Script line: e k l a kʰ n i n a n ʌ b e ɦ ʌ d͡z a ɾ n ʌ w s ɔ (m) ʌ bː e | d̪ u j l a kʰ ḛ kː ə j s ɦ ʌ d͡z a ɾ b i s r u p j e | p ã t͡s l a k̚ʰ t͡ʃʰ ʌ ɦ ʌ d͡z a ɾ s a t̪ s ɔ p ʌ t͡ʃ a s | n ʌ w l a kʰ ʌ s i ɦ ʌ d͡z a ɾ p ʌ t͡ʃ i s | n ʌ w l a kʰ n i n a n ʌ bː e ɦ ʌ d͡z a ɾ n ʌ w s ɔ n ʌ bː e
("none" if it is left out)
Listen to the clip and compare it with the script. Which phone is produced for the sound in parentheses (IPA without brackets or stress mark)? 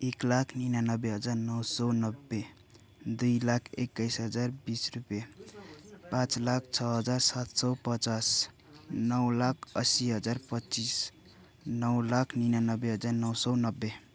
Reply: n